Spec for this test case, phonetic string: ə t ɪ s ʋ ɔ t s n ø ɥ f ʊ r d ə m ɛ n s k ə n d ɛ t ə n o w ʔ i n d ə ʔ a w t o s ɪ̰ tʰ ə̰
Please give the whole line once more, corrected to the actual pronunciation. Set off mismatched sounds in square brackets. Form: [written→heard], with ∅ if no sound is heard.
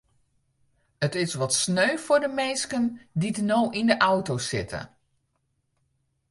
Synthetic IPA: ə t ɪ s ʋ ɔ t s n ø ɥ f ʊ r d ə m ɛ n s k ə n d [ɛ→i] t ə n o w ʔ i n d ə ʔ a w t o s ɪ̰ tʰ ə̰